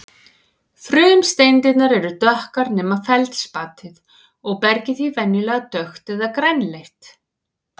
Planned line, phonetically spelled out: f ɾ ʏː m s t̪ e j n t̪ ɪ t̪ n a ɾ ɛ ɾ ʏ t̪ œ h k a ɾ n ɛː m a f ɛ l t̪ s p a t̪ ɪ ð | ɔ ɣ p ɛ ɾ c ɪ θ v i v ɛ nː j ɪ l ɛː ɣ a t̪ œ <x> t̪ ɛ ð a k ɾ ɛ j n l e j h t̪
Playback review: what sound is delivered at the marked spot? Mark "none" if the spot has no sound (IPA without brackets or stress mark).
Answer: x